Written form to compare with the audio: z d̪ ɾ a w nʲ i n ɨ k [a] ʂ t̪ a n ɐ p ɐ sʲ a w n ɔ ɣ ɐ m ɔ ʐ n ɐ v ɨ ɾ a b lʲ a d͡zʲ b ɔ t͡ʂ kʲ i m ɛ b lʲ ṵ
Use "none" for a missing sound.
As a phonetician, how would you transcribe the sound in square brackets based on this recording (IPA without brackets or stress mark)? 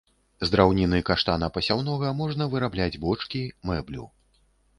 a